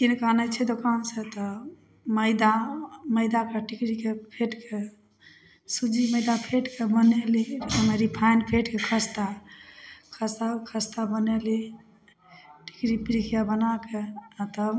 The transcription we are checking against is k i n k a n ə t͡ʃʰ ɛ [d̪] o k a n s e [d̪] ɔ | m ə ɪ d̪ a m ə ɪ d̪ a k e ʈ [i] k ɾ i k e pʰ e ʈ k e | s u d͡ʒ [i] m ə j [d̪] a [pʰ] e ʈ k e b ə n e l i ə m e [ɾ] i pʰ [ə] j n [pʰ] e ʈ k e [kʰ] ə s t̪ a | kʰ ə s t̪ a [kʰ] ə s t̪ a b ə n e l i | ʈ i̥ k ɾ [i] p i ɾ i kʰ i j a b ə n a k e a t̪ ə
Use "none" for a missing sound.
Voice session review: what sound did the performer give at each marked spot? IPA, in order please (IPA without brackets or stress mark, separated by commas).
d̪, t̪, i, i, d̪, pʰ, ɾ, a, pʰ, kʰ, kʰ, i